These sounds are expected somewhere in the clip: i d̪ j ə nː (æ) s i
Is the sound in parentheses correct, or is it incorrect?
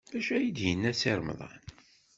correct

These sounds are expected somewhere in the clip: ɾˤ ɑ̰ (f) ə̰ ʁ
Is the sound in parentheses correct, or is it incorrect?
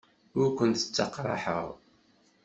incorrect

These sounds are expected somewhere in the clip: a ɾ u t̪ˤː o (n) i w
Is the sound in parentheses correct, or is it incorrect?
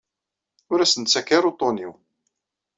correct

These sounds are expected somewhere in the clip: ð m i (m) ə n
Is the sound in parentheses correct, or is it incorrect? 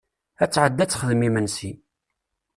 correct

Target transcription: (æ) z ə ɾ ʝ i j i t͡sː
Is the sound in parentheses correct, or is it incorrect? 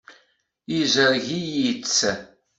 incorrect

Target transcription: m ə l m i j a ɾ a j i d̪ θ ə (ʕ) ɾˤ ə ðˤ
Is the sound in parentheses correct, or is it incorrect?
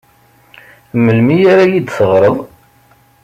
incorrect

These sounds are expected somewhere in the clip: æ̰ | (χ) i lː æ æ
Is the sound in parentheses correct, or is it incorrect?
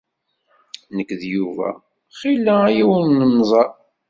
correct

